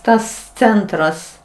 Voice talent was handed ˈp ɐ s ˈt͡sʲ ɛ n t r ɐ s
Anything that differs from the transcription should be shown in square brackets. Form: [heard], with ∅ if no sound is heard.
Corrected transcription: [ˈt] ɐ s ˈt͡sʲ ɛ n t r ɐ s